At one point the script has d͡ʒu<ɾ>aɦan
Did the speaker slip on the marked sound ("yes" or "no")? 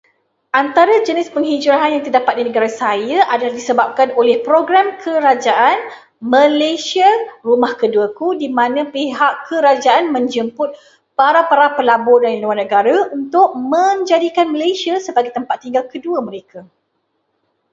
no